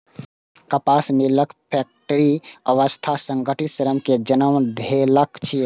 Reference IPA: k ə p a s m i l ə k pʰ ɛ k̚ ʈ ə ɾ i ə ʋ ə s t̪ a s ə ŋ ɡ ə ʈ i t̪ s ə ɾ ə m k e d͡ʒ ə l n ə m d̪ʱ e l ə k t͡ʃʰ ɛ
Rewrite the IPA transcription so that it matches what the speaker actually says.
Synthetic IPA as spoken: k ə p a s m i l ə k pʰ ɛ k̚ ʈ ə ɾ i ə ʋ ə s t̪ʰ a s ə ŋ ɡ ə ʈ i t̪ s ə ɾ ə m k e d͡ʒ ə n ə m d̪ʱ e l ə k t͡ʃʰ i